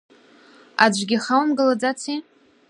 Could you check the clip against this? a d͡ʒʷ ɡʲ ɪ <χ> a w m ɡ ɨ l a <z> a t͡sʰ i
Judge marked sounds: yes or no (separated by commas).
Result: yes, no